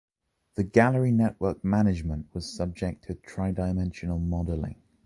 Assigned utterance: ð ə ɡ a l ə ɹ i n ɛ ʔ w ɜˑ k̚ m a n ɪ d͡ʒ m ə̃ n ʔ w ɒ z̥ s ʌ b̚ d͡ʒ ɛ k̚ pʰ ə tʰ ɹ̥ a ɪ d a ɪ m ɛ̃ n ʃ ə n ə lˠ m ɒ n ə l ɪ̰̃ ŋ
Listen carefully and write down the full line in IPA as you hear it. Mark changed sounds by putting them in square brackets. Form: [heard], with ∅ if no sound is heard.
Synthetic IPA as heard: ð ə ɡ a l ə ɹ i n ɛ ʔ w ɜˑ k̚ m a n ɪ d͡ʒ m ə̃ n ʔ w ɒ z̥ s ʌ b̚ d͡ʒ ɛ k̚ [tʰ] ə tʰ ɹ̥ a ɪ d a ɪ m ɛ̃ n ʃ ə n ə lˠ m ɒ [d] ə l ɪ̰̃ ŋ